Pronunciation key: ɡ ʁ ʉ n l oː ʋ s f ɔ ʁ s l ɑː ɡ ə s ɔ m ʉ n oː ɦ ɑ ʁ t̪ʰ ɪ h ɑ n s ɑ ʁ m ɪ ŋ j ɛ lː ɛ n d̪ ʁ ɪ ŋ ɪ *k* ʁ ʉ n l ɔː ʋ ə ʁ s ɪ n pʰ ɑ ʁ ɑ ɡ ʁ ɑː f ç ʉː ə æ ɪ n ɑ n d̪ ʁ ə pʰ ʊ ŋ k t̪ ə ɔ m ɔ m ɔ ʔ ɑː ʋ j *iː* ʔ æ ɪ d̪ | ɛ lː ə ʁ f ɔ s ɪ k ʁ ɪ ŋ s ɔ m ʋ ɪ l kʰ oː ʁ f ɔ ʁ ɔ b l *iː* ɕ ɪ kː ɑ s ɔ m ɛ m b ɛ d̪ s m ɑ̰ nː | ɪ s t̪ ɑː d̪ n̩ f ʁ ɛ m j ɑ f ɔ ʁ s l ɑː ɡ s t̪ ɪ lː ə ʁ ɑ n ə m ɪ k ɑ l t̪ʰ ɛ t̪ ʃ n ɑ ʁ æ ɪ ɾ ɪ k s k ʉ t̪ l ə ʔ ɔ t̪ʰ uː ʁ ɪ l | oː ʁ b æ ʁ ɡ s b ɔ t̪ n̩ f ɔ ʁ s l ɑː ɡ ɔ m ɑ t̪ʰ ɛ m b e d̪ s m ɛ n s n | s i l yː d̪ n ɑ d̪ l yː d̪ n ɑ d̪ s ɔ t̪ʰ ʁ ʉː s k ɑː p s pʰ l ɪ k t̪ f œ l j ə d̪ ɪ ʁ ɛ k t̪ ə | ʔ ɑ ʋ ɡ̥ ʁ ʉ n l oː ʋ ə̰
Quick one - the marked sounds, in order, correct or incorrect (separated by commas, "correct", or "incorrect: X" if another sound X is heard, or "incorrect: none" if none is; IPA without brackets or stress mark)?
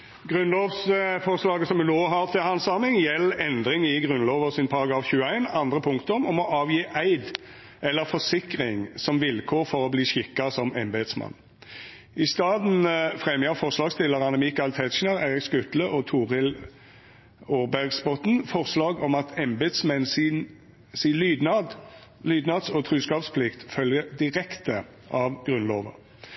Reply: incorrect: ɡ, correct, correct